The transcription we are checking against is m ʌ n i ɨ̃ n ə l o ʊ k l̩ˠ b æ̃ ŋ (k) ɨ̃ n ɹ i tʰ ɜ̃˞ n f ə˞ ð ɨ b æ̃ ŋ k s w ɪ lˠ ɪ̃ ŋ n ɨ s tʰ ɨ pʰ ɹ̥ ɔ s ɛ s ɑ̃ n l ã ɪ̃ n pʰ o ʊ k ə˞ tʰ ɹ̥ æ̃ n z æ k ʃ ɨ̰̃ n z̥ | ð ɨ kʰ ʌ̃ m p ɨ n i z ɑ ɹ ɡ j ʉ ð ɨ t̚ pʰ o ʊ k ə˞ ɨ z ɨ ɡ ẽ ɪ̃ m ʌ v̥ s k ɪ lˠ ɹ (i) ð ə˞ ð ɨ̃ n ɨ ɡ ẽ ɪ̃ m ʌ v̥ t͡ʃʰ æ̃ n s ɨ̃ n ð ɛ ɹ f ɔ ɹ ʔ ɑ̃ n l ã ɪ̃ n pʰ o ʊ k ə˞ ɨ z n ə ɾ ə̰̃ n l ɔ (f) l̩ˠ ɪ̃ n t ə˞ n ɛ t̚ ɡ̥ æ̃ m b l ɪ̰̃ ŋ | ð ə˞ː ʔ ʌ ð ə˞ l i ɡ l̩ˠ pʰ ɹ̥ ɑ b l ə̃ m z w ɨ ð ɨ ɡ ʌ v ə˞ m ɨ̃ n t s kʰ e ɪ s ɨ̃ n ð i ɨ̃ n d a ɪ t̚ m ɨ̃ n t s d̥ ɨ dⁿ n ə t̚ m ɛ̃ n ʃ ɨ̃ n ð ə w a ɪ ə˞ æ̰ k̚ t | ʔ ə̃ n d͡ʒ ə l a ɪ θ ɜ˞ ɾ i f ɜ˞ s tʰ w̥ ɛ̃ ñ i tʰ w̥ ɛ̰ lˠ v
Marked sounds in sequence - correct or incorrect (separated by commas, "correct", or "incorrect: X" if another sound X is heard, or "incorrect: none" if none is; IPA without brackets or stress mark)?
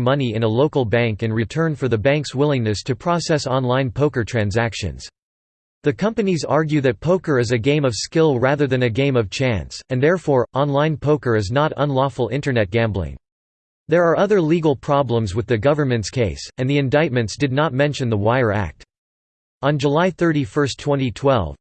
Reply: correct, incorrect: æ, correct